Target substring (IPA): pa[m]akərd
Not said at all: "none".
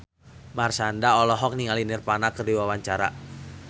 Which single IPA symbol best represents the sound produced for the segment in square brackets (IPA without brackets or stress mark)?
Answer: n